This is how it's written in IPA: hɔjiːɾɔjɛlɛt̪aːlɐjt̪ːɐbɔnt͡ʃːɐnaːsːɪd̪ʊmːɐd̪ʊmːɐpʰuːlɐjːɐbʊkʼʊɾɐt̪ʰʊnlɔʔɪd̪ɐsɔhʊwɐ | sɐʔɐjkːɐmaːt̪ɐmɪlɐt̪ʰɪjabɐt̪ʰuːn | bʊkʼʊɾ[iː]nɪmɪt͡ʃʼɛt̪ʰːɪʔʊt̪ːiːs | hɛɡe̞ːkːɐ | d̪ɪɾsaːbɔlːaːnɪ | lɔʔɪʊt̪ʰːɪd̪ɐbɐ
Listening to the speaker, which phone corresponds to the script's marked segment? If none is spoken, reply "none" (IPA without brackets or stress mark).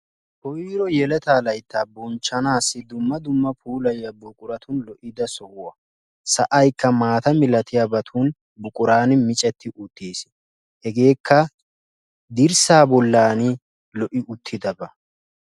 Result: aː